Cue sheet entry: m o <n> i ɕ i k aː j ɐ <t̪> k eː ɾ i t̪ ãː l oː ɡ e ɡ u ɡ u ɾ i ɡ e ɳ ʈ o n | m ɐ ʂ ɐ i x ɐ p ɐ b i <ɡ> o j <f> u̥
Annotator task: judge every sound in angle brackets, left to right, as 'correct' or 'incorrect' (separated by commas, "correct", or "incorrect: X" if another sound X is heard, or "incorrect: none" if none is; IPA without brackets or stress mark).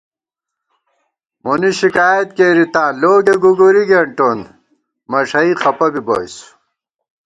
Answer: correct, correct, incorrect: b, incorrect: s